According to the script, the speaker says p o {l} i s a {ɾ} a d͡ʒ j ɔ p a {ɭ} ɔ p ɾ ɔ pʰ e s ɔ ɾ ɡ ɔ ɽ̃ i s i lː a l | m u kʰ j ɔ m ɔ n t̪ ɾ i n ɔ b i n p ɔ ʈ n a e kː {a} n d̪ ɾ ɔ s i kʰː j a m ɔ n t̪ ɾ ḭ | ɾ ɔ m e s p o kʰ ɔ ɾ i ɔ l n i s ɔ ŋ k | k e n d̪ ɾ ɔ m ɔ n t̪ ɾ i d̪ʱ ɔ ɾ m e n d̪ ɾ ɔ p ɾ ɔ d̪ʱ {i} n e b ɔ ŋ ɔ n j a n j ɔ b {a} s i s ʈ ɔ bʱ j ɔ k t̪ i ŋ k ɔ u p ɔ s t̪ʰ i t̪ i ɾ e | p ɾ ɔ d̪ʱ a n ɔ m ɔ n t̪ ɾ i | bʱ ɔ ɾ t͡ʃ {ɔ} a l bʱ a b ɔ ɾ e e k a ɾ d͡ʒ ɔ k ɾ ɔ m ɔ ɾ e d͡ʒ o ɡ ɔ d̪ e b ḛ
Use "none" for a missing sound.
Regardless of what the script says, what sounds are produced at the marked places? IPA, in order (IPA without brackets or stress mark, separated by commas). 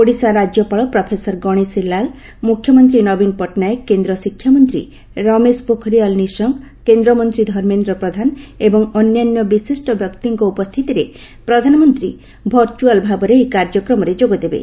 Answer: ɽ, ɾ, ɭ, e, a, i, u